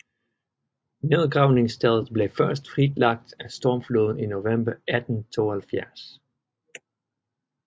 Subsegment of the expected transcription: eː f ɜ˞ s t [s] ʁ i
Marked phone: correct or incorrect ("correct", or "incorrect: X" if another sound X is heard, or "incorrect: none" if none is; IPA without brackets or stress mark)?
incorrect: f